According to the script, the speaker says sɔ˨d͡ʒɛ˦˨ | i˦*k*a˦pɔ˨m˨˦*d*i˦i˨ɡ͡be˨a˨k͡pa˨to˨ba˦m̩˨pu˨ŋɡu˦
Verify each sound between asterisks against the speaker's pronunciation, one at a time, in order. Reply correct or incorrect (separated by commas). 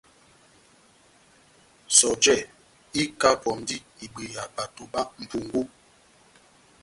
correct, correct